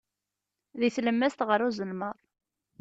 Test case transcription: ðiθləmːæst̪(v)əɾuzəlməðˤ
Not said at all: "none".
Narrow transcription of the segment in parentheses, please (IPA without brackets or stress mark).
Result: ʁ